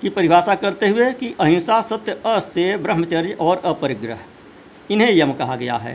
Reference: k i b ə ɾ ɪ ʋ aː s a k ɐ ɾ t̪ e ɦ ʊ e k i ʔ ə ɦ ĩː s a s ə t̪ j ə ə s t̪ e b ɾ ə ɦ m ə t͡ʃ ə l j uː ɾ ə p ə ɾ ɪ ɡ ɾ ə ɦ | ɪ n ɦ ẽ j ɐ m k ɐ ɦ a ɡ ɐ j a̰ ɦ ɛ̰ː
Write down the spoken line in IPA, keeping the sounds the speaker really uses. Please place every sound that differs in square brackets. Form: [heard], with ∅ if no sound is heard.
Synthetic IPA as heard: k i [p] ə ɾ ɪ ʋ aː s a k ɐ ɾ t̪ e ɦ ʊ e k i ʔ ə ɦ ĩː s a s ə t̪ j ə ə s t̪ e b ɾ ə ɦ m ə t͡ʃ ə [ɾ] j [ɔː] ɾ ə p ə ɾ ɪ ɡ ɾ ə ɦ | ɪ n ɦ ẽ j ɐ m k ɐ ɦ a ɡ ɐ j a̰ ɦ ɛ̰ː